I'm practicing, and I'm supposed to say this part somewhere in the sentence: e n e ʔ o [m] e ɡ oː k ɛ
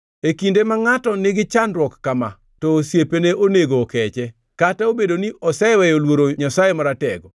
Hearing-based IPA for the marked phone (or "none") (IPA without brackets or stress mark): n